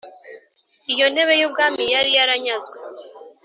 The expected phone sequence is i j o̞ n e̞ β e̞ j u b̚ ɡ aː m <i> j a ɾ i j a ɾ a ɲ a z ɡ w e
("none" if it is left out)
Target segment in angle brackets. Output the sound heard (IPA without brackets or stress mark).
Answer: i